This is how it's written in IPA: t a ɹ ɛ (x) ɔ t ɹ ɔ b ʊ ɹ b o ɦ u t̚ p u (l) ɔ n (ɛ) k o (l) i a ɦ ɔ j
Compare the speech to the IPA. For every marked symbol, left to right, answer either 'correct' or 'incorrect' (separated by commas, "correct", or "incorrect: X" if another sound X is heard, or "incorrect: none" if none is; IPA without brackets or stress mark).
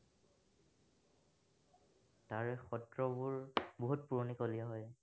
correct, incorrect: ɹ, incorrect: i, correct